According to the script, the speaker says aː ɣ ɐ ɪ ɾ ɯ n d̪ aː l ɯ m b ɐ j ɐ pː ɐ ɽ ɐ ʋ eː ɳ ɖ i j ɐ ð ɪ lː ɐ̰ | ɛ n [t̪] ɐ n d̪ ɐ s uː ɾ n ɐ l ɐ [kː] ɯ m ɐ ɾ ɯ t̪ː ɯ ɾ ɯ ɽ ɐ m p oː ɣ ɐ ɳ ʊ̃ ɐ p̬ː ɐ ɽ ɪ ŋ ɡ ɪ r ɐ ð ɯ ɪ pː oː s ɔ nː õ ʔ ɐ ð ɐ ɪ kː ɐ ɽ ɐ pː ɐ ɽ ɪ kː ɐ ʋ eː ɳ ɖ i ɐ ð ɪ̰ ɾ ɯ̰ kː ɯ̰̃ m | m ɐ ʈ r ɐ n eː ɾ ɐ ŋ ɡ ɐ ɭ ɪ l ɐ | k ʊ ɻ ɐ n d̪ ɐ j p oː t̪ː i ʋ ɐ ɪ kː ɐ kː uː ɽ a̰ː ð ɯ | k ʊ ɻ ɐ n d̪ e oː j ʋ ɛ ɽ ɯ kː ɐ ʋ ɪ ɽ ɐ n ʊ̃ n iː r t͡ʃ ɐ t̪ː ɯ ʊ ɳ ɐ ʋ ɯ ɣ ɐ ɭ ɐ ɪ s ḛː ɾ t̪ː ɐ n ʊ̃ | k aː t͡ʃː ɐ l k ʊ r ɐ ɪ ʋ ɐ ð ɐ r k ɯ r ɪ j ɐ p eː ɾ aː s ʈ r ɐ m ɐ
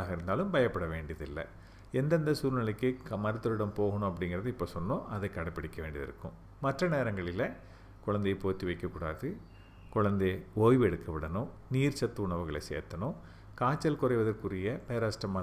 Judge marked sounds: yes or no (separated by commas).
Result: no, yes